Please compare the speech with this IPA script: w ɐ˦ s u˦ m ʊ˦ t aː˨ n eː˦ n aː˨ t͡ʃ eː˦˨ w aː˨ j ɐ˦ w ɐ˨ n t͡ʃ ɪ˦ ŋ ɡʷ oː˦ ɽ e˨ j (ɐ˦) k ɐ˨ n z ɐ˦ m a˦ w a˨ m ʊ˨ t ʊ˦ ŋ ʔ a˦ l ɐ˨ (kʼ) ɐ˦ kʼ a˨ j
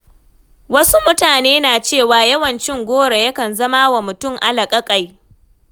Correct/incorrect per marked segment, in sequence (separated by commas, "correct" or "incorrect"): correct, correct